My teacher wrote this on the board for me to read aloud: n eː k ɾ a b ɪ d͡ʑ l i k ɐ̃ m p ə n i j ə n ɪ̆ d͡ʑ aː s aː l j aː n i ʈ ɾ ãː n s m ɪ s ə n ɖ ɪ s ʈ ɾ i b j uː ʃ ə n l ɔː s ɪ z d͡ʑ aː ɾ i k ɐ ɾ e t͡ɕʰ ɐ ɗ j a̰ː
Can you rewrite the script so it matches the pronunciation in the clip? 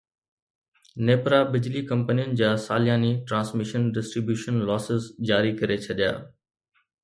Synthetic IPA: n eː p ɾ a b ɪ d͡ʑ l i k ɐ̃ m p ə n i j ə n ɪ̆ d͡ʑ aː s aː l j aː n i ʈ ɾ ãː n s m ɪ ʃ ə n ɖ ɪ s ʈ ɾ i b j uː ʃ ə n l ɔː s ɪ z d͡ʑ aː ɾ i k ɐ ɾ e t͡ɕʰ ɐ ɗ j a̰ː